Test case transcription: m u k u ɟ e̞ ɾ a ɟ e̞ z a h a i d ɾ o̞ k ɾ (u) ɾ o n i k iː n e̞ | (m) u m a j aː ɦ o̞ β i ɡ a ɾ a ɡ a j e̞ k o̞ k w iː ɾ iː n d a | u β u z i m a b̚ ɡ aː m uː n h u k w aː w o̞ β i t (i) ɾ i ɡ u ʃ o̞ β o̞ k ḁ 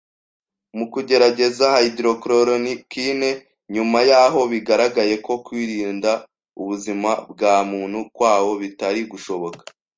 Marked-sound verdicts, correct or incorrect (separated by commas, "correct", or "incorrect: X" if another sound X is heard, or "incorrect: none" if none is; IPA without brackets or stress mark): incorrect: o, incorrect: ɲ, incorrect: a